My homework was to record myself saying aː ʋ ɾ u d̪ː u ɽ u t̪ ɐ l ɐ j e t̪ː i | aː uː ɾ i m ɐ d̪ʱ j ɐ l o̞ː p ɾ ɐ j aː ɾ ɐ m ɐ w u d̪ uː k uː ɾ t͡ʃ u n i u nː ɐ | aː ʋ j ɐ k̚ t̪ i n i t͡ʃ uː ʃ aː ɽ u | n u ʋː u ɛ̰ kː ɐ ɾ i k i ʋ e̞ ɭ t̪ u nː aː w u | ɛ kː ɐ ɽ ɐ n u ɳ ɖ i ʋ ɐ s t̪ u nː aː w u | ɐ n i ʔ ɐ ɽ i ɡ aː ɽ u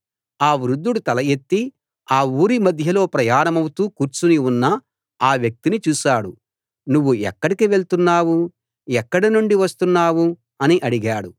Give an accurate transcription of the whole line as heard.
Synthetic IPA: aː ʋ ɾ u d̪ː u ɽ u t̪ ɐ l ɐ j e t̪ː i | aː uː ɾ i m ɐ d̪ʱ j ɐ l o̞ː p ɾ ɐ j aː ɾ ɐ m ɐ w u t̪ uː k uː ɾ t͡ʃ u n i u nː ɐ | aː ʋ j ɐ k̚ t̪ i n i t͡ʃ uː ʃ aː ɽ u | n u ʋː u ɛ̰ kː ɐ ɽ i k i ʋ e̞ ɭ t̪ u nː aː w u | ɛ kː ɐ ɽ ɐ n u ɳ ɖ i ʋ ɐ s t̪ u nː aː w u | ɐ n i ʔ ɐ ɽ i ɡ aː ɽ u